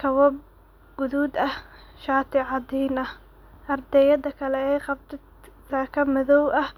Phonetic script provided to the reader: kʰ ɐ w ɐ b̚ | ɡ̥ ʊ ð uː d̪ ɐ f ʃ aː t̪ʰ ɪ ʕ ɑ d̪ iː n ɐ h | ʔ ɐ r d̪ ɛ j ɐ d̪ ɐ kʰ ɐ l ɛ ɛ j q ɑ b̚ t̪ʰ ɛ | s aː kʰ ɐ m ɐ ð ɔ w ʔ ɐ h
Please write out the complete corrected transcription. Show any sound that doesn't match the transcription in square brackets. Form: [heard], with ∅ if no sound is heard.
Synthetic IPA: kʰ ɐ w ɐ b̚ | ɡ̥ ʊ ð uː d̪ ɐ [h] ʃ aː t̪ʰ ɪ ʕ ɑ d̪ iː n ɐ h | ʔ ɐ r d̪ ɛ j ɐ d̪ ɐ kʰ ɐ l ɛ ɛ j q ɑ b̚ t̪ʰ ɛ | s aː kʰ ɐ m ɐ ð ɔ w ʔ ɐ h